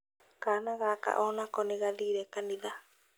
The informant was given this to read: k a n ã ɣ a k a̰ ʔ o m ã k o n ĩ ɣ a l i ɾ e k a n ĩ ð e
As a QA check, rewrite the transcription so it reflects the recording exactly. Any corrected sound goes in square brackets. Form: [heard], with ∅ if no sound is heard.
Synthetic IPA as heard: k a n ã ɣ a k a̰ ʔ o [n] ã k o n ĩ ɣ a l i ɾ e k a n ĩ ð [a]